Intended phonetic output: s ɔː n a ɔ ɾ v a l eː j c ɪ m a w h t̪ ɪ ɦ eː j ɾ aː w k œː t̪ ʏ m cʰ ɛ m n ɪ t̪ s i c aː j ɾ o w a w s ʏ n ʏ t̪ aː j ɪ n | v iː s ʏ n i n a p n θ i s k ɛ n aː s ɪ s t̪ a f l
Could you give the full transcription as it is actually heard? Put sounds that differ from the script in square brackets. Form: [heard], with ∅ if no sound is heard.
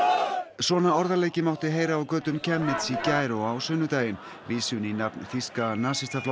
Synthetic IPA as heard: s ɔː n a ɔ ɾ [ð] a l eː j c ɪ m a w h t̪ ɪ ɦ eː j ɾ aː w k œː t̪ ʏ m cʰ ɛ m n ɪ t̪ s i c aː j ɾ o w a w s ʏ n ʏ t̪ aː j ɪ n | v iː s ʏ n i n a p n θ i s k [a] n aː s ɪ s t̪ a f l